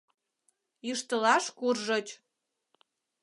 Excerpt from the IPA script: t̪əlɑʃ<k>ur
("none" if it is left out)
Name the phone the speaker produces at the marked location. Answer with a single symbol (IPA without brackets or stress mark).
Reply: k